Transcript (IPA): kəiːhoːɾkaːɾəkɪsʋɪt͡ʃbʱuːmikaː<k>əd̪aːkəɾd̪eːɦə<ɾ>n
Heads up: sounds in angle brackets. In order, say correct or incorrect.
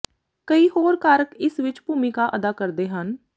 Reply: incorrect, incorrect

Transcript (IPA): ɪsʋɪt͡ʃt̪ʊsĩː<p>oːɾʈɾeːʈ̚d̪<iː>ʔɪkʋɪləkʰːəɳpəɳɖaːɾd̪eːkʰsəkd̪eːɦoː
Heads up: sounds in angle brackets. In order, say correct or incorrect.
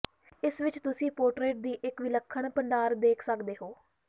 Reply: correct, correct

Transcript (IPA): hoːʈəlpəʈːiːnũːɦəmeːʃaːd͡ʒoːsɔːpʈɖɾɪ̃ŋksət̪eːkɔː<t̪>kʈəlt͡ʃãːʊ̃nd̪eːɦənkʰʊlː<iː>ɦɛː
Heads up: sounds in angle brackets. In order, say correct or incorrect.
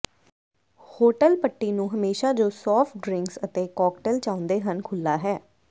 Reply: incorrect, incorrect

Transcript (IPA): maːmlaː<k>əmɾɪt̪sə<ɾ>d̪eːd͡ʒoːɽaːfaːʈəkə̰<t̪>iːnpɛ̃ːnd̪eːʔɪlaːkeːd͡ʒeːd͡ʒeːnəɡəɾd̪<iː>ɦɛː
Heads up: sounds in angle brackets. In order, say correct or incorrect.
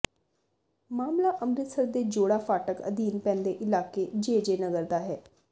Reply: incorrect, correct, incorrect, incorrect

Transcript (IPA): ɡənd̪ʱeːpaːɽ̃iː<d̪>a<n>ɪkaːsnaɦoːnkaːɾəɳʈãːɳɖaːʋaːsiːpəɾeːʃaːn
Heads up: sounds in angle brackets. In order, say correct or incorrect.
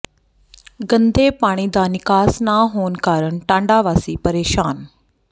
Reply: correct, correct

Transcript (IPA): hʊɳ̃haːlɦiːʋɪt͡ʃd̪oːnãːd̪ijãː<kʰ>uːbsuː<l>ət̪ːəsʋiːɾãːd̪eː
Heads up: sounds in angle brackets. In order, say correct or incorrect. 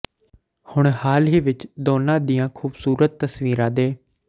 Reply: correct, incorrect

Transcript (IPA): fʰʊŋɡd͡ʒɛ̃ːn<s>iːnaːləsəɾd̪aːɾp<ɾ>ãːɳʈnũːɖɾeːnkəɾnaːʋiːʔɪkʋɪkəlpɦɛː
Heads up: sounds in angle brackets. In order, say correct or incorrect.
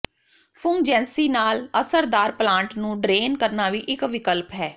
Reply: correct, incorrect

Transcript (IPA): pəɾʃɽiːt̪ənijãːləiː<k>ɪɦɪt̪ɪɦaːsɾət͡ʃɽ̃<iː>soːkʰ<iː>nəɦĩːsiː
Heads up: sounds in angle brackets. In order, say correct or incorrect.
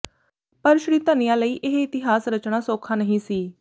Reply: incorrect, incorrect, incorrect

